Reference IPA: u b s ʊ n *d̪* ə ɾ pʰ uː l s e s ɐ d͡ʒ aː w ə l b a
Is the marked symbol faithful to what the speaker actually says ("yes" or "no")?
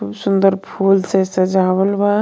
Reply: yes